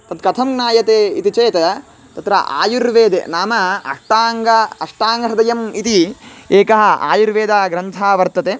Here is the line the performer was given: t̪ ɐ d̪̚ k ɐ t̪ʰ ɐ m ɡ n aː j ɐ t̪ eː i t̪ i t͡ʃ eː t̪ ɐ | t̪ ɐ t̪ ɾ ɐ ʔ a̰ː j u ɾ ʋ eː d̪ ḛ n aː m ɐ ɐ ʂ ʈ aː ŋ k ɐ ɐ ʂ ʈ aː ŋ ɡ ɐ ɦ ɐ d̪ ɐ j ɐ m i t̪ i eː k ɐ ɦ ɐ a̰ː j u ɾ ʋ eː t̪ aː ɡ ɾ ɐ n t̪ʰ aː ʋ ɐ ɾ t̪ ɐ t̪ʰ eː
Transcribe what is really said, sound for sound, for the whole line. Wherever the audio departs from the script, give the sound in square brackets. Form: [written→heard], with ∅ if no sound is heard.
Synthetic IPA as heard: t̪ ɐ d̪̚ k ɐ t̪ʰ ɐ m ɡ n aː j ɐ t̪ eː i t̪ i t͡ʃ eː t̪ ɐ | t̪ ɐ t̪ ɾ ɐ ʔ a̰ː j u ɾ ʋ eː d̪ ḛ n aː m ɐ ɐ ʂ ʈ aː ŋ [k→ɡ] ɐ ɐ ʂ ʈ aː ŋ ɡ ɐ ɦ ɐ d̪ ɐ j ɐ m i t̪ i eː k ɐ ɦ ɐ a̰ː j u ɾ ʋ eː [t̪→d̪] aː ɡ ɾ ɐ n t̪ʰ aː ʋ ɐ ɾ t̪ ɐ [t̪ʰ→t̪] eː